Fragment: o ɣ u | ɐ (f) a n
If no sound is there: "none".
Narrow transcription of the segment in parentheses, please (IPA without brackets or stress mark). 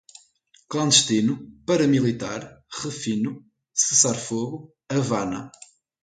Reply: v